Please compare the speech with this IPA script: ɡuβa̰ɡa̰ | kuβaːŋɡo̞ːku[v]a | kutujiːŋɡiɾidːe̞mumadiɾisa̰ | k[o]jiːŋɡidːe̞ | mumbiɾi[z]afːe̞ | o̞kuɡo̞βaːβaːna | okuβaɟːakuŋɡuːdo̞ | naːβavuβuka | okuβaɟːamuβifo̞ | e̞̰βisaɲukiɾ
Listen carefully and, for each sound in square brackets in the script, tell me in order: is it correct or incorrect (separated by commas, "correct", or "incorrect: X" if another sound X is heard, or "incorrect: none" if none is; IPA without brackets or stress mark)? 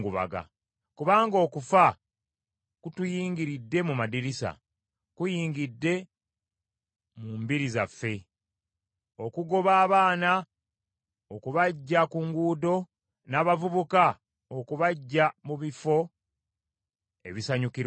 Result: incorrect: f, incorrect: u, correct